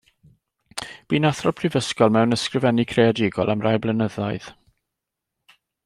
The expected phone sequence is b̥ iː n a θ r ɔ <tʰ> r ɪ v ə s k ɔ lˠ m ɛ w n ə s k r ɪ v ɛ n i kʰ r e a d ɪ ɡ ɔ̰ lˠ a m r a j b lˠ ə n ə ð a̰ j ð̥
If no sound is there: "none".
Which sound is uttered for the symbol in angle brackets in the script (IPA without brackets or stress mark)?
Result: pʰ